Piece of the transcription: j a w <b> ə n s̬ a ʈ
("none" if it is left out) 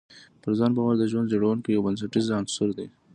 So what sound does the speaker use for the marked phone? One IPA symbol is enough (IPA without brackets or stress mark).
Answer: b